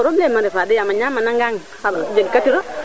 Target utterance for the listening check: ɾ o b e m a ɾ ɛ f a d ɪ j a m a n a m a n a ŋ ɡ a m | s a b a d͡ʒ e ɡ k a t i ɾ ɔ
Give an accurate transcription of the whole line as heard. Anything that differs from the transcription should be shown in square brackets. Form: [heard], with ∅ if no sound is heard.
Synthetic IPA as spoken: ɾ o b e m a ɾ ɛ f a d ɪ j a m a [ɲ] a m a n a ŋ ɡ a [ŋ] | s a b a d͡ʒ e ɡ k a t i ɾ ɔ